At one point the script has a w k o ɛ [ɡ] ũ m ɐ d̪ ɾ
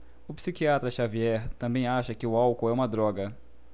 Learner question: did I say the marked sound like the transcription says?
no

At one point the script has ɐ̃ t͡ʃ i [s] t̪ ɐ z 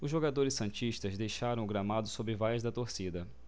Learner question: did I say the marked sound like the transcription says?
no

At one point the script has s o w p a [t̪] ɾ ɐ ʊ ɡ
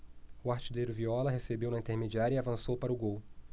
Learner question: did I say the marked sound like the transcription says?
no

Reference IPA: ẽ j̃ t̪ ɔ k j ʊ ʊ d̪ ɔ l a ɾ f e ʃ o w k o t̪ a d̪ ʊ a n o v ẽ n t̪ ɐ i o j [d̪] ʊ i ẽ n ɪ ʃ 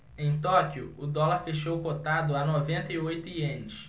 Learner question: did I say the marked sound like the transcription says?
no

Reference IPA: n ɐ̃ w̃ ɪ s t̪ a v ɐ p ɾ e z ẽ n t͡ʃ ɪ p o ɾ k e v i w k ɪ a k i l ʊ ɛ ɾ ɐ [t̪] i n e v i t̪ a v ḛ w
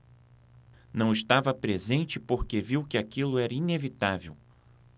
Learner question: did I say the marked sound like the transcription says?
no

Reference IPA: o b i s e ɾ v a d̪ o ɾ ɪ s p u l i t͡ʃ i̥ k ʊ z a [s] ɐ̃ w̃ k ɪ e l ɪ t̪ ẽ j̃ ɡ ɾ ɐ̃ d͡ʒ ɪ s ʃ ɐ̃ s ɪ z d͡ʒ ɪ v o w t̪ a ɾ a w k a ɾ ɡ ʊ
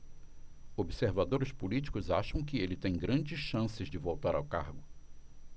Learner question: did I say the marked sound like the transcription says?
no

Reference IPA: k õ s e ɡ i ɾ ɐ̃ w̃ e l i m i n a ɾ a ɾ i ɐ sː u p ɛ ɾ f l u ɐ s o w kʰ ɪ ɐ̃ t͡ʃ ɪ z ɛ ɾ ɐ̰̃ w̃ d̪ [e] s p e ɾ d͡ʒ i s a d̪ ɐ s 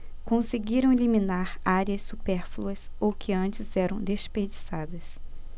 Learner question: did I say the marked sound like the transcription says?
yes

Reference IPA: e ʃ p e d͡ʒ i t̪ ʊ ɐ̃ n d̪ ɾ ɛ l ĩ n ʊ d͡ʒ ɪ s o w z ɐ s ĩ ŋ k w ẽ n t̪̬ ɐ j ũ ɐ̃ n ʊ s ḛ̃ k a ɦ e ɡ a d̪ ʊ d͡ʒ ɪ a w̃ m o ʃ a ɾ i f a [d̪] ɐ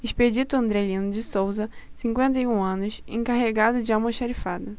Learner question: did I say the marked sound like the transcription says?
yes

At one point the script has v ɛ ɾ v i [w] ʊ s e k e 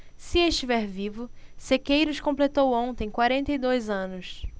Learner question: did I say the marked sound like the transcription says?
no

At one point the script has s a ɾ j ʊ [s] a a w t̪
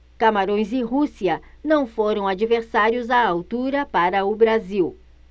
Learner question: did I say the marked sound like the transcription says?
no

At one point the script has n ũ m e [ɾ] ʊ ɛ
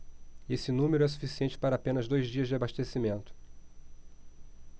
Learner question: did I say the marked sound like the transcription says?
yes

